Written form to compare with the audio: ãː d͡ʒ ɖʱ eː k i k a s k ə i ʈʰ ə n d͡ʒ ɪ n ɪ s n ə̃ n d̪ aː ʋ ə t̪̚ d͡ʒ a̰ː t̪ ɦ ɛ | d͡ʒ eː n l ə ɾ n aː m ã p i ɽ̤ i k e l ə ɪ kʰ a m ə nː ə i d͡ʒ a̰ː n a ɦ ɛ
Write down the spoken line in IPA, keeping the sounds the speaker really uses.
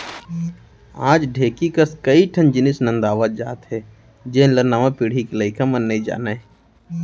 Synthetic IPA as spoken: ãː d͡ʒ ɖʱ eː k i k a s k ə i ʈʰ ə n d͡ʒ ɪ n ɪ s n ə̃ n d̪ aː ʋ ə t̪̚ d͡ʒ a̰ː t̪ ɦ ɛ | d͡ʒ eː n l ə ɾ n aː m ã p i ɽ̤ i k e l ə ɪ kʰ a m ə nː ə i d͡ʒ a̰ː n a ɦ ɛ